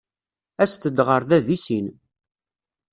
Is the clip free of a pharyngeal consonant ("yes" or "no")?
yes